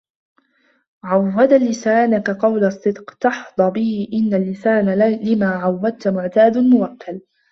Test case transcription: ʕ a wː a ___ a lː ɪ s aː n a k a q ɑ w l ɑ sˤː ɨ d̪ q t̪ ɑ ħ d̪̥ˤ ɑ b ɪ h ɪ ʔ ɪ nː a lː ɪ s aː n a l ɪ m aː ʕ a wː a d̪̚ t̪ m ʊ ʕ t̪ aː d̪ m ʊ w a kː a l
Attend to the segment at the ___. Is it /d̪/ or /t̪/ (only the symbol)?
d̪